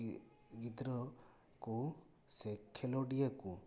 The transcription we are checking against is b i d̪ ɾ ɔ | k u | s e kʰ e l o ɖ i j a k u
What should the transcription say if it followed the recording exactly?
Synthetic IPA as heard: ɡ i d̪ ɾ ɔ | k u | s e kʰ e l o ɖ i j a k u